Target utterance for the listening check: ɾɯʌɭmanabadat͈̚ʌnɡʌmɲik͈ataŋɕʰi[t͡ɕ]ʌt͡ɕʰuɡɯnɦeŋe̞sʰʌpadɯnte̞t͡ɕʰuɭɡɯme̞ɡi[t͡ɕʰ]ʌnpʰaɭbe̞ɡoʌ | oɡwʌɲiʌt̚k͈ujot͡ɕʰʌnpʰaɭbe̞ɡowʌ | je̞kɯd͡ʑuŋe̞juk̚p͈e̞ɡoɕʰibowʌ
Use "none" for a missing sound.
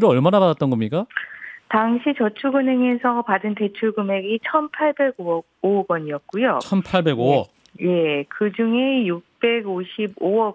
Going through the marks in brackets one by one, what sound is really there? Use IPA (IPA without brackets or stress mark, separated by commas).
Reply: t͡ɕ, t͡ɕʰ